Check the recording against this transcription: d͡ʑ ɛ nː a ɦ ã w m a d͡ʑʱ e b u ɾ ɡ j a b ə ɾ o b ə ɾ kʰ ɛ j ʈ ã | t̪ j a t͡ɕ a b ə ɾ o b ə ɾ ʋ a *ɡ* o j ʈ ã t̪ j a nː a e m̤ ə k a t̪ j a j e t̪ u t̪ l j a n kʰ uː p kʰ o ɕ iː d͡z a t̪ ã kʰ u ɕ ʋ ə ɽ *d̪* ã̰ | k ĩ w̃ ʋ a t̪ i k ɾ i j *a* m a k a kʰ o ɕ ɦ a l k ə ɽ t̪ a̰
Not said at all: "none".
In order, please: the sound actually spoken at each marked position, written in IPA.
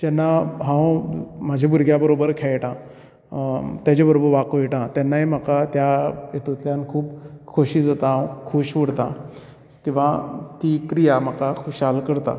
k, t̪, a

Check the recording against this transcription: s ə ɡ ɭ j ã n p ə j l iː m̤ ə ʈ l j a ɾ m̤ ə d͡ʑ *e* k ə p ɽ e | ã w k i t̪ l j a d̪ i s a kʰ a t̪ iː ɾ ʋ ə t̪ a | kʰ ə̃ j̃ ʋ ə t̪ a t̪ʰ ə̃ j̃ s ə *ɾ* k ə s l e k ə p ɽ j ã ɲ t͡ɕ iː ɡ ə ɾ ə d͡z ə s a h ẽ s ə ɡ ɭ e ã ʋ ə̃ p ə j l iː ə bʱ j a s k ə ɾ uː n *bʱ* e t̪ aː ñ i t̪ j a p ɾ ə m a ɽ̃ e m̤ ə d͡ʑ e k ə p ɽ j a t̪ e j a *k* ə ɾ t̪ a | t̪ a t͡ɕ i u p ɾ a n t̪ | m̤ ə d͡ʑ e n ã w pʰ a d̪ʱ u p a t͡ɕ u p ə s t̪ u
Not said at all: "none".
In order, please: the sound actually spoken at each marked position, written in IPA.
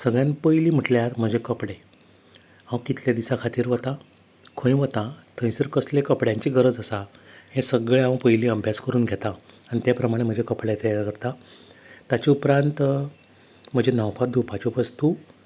e, ɾ, ɡʱ, k

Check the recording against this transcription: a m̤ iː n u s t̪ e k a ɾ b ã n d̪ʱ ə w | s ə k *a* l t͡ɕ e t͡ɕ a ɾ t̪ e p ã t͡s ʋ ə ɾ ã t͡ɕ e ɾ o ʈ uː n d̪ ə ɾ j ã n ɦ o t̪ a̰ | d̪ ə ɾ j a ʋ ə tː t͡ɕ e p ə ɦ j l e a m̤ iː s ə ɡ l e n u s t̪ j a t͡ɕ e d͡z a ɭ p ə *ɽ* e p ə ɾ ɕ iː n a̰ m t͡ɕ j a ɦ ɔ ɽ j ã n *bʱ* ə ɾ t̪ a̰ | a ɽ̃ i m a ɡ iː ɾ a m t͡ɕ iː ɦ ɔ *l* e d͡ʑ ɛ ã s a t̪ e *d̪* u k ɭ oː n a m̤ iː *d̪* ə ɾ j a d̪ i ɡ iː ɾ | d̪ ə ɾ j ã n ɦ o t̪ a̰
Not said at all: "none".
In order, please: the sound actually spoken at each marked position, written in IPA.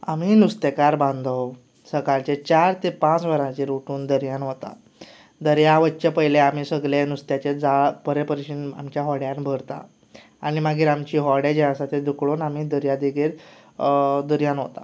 a, ɾ, bʱ, ɽ, d̪, d̪

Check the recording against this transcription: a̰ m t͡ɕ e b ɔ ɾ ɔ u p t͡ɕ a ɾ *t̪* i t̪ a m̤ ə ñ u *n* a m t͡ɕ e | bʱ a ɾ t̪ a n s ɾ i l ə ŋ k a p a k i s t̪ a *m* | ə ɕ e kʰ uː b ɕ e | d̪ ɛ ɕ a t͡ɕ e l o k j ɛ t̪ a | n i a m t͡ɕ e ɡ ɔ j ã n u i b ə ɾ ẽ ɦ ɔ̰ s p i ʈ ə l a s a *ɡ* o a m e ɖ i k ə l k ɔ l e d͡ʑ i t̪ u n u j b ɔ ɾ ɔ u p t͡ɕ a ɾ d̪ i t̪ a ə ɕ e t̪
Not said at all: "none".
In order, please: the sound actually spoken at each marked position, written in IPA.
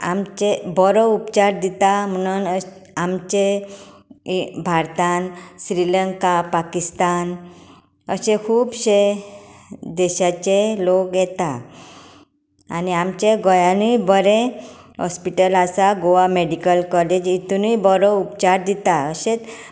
d̪, n, n, ɡ

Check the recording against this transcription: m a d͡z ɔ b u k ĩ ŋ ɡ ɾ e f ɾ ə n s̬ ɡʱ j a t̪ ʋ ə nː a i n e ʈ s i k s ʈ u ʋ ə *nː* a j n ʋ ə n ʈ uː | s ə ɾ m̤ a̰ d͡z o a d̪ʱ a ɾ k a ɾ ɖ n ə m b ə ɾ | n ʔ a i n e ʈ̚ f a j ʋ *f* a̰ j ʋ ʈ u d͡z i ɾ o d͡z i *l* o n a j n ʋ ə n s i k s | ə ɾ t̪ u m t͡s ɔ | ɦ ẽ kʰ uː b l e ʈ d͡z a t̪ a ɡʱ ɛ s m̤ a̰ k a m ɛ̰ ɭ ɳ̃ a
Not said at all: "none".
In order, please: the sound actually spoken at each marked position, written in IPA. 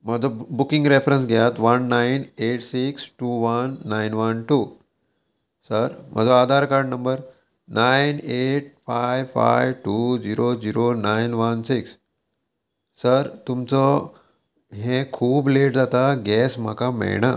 nː, f, ɾ

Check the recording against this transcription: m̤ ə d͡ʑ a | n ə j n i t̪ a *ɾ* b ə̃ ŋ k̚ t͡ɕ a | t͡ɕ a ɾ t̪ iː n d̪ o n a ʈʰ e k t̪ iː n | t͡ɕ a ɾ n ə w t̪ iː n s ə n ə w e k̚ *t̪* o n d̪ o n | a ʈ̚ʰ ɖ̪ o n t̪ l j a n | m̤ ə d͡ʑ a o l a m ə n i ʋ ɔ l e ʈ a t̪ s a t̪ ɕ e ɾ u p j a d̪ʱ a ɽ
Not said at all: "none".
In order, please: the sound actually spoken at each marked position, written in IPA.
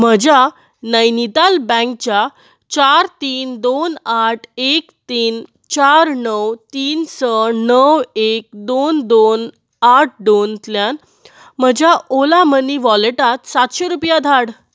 l, d̪

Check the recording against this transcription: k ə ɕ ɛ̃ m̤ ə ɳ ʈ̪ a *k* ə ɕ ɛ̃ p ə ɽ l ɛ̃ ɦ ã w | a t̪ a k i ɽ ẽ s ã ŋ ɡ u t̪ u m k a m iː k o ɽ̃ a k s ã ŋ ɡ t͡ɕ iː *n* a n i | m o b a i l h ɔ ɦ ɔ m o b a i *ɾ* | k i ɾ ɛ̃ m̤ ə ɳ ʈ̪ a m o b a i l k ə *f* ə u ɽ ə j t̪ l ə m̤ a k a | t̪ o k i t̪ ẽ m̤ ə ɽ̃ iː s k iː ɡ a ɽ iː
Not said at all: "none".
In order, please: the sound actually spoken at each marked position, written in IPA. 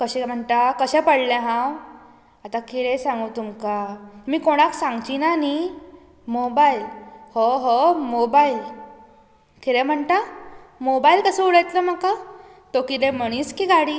k, n, l, s

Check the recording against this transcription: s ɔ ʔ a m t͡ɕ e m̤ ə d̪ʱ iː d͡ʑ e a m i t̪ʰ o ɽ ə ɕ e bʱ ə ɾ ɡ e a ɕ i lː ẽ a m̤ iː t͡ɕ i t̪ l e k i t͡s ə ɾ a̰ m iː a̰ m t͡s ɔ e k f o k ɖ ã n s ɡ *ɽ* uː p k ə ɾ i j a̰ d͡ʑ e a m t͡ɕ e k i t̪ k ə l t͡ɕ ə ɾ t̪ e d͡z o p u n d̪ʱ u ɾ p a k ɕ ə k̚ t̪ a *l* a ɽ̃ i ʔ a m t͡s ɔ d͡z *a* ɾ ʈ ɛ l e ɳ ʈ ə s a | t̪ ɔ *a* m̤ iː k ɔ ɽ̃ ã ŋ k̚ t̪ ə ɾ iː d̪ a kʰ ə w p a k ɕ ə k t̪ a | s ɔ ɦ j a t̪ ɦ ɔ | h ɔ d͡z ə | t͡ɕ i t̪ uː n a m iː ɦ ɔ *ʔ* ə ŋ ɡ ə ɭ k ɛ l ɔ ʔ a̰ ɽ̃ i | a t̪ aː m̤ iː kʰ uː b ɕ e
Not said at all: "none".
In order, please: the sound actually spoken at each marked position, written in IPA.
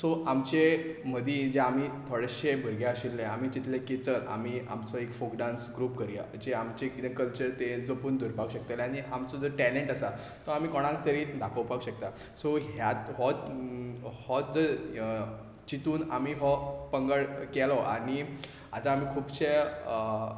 ɾ, l, ə, a, p

